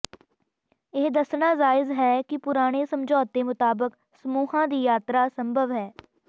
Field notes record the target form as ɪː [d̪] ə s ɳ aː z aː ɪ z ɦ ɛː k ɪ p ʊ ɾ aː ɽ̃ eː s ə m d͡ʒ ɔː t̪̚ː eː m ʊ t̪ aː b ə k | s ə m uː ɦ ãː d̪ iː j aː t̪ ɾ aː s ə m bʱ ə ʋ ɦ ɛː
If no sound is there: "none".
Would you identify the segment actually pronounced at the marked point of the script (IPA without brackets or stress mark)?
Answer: d̪